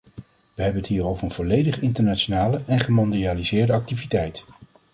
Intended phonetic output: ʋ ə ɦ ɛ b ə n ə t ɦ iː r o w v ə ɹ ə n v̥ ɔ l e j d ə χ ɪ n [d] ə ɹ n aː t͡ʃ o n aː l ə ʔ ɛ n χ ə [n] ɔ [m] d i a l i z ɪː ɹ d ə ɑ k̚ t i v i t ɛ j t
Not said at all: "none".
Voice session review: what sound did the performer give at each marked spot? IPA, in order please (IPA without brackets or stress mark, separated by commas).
t, m, n